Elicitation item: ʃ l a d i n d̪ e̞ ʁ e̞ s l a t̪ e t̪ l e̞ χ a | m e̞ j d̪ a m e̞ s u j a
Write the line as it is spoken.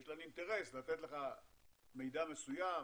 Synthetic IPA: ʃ l a n i n t̪ e̞ ʁ e̞ s l a t̪ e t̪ l e̞ χ a | m e̞ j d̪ a m e̞ s u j a